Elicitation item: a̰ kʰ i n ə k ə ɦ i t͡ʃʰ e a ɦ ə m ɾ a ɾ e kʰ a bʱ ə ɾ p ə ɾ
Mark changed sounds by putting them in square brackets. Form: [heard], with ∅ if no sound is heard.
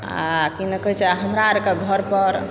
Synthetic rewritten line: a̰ [k] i n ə k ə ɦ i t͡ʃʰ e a ɦ ə m ɾ a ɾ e [k] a [ɡʱ] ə ɾ p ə ɾ